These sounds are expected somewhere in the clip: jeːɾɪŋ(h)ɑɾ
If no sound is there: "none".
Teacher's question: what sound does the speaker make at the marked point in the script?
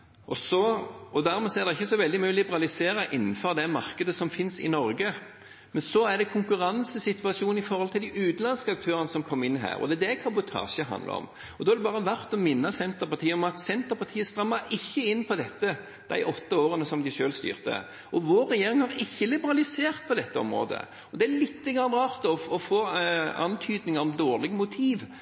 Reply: h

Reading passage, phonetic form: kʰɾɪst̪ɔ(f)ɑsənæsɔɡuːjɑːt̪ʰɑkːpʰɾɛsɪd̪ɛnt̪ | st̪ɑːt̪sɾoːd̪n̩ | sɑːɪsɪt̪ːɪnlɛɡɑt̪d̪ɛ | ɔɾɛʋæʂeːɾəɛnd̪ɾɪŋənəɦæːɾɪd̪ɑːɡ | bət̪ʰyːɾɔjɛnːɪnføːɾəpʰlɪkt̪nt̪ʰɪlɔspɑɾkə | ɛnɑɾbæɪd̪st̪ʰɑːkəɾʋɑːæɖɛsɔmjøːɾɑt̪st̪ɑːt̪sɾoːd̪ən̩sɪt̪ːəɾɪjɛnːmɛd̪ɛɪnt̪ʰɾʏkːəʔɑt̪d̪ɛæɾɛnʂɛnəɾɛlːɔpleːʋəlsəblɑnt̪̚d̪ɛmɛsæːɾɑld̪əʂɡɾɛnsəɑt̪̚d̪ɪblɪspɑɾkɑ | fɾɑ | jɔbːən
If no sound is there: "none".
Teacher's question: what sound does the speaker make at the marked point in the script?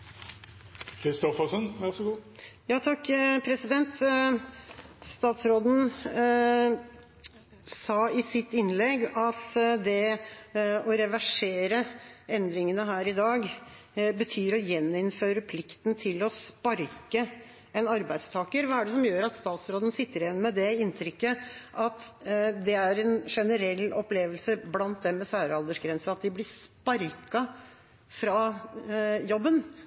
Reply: f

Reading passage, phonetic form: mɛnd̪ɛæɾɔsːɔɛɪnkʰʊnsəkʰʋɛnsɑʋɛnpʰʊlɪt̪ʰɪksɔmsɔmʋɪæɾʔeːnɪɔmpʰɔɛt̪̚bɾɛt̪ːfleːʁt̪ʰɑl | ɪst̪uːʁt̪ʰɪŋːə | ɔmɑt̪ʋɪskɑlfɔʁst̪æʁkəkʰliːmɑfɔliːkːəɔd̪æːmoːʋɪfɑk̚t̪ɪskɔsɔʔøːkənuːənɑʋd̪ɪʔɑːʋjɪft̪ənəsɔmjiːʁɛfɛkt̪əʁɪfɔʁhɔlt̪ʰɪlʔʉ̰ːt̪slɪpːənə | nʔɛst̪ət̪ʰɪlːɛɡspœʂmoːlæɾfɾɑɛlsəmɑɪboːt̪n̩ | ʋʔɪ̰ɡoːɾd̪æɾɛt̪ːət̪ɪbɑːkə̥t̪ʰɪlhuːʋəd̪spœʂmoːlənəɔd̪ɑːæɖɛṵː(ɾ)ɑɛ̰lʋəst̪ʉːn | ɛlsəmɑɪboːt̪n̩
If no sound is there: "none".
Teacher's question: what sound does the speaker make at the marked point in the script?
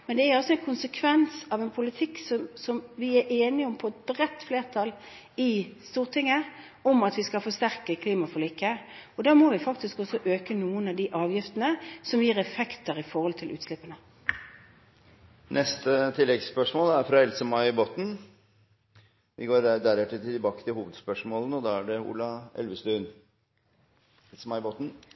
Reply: l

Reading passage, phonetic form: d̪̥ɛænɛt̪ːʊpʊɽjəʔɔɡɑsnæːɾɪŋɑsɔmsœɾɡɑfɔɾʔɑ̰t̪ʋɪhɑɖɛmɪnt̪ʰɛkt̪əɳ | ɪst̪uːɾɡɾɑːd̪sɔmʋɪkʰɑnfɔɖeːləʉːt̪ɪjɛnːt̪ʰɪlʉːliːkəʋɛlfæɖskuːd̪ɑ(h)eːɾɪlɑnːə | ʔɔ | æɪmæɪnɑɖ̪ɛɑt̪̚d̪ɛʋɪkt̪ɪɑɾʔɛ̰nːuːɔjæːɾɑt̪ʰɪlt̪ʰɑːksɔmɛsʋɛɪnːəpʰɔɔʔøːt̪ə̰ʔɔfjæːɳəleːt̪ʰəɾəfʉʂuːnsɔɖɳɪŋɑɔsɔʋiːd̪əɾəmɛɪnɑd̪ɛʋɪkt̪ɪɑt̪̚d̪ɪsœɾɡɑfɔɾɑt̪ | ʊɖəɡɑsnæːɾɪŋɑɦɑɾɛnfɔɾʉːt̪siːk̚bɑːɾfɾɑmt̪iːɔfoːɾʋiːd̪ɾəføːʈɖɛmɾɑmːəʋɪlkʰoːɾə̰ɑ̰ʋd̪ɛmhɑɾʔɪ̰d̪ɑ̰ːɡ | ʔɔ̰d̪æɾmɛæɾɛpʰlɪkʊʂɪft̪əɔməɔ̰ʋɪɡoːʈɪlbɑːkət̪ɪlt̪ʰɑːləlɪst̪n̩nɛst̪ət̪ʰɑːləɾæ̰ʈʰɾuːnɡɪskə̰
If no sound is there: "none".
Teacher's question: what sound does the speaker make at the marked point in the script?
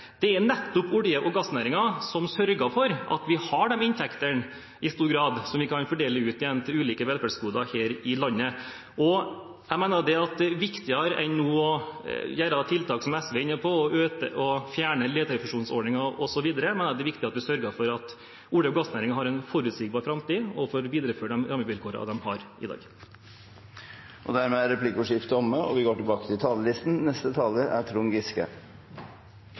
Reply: h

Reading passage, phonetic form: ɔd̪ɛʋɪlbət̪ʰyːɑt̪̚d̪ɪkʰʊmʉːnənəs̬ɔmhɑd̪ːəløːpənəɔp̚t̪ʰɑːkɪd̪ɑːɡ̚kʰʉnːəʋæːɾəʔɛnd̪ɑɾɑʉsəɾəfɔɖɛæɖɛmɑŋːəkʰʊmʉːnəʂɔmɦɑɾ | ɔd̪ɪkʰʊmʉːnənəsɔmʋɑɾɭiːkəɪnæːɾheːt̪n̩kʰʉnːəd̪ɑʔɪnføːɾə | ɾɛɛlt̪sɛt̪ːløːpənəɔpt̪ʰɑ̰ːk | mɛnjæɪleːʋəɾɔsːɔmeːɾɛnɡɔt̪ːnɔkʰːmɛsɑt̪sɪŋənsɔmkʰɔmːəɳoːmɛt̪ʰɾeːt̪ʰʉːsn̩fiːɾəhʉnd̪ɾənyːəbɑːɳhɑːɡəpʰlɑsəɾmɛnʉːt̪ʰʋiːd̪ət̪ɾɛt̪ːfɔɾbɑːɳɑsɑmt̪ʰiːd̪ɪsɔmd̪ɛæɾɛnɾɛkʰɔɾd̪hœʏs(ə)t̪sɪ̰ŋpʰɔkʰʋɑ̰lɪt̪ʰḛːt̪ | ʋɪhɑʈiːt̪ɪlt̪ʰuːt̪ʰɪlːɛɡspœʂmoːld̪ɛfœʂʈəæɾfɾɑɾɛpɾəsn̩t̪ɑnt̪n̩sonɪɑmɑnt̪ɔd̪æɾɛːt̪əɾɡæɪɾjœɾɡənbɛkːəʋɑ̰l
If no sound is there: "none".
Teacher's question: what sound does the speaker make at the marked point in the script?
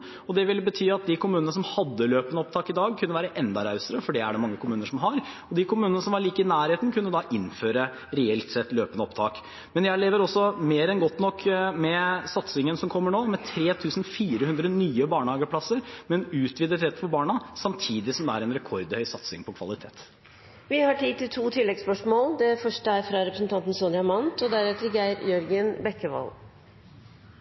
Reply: ɑ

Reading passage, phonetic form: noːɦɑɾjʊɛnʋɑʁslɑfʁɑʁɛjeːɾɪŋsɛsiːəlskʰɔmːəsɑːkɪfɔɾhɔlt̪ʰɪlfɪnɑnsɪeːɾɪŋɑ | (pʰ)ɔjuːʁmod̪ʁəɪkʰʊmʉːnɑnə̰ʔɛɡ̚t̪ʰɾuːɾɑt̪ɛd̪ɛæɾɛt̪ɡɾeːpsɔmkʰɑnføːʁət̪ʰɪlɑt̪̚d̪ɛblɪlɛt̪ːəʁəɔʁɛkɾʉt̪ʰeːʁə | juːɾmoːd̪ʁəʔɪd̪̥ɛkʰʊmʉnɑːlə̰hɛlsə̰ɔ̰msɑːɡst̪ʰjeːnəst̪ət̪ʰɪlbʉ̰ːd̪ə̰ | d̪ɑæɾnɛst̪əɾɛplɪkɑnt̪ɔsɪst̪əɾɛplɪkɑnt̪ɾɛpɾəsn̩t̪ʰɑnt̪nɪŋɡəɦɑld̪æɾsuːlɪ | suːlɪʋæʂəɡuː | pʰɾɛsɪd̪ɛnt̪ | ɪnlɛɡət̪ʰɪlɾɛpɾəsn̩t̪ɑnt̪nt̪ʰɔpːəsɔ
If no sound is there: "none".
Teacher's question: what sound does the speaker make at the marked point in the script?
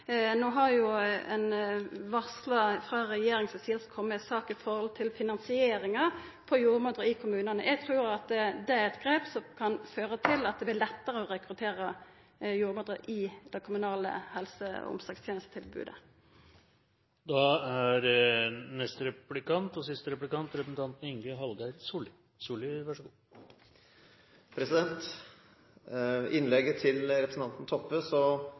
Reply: pʰ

